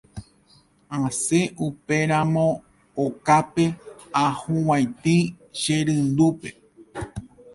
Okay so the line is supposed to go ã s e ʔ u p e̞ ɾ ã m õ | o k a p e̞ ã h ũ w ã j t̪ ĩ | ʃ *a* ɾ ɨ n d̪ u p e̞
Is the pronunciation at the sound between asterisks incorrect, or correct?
incorrect